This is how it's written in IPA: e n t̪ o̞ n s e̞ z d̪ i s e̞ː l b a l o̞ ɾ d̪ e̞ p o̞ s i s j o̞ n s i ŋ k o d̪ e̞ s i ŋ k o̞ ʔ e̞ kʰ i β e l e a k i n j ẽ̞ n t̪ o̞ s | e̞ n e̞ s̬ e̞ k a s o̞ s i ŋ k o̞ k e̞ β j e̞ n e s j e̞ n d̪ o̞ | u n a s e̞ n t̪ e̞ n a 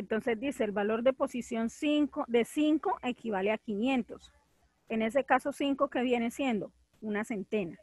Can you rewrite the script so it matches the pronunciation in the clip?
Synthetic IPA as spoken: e n t̪ o̞ n s e̞ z d̪ i s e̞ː l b a l o̞ ɾ d̪ e̞ p o̞ s i s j o̞ n s i ŋ k o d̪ e̞ s i ŋ k o̞ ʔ e̞ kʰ i β a l e a k i n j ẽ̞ n t̪ o̞ s | e̞ n e̞ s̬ e̞ k a s o̞ s i ŋ k o̞ k e̞ β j e̞ n e s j e̞ n d̪ o̞ | u n a s e̞ n t̪ e̞ n a